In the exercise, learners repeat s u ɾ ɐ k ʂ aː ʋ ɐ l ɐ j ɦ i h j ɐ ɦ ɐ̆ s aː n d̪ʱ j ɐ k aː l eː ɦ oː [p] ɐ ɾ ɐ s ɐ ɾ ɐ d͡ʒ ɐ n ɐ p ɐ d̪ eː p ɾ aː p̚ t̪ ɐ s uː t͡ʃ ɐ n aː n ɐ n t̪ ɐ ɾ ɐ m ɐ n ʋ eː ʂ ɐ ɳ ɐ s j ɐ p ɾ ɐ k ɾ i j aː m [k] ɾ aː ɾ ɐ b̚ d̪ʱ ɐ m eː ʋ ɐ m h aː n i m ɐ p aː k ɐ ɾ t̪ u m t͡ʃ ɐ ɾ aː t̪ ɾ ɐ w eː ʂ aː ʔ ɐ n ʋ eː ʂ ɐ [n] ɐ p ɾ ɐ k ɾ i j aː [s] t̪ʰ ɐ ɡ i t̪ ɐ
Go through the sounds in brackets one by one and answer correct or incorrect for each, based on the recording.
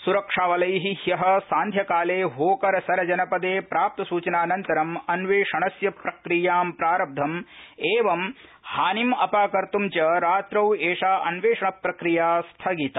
incorrect: k, incorrect: p, incorrect: ɳ, correct

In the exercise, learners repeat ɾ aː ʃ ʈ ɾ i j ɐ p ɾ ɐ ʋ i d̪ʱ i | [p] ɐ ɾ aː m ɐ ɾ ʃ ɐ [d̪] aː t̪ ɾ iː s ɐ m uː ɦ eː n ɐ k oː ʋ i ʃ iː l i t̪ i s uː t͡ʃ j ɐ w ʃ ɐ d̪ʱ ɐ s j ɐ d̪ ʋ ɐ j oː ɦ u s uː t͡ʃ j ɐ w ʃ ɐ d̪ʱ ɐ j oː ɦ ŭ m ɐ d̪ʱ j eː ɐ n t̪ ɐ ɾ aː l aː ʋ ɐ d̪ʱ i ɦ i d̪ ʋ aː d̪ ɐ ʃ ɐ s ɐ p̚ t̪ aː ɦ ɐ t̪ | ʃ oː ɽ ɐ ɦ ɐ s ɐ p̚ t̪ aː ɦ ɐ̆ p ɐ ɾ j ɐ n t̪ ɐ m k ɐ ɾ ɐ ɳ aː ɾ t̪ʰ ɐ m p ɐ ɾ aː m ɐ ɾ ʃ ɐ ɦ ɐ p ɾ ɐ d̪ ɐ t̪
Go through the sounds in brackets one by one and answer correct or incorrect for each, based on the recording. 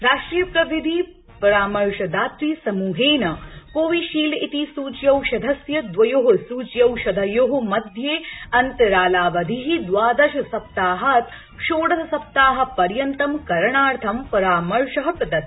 correct, correct

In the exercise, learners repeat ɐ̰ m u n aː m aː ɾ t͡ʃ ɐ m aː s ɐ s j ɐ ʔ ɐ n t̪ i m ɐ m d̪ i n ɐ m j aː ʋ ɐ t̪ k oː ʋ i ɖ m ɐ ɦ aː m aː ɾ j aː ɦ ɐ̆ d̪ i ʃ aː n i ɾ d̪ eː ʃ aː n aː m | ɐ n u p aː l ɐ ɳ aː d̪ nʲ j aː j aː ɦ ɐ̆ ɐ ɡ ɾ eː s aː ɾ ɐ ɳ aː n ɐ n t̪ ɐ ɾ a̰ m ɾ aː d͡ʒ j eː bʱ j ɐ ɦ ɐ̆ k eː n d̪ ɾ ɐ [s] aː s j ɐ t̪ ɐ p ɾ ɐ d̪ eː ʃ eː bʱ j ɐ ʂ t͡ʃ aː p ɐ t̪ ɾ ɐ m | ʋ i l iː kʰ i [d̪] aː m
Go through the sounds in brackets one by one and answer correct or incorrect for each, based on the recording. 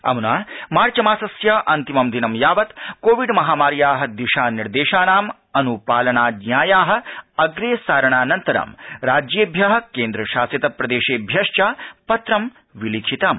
incorrect: ʃ, incorrect: t̪

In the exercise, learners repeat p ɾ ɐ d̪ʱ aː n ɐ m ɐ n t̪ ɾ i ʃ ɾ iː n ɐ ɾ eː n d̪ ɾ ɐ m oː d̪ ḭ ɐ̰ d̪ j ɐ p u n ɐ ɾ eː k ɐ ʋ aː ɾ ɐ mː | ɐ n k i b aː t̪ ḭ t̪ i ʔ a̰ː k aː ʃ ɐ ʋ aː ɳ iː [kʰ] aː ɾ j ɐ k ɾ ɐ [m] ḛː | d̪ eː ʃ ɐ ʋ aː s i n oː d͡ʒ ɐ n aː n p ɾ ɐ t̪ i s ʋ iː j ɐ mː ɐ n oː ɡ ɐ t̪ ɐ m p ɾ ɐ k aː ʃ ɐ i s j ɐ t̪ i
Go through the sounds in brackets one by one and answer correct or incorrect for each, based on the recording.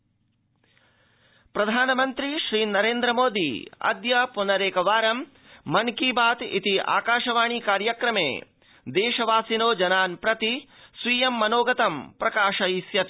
incorrect: k, correct

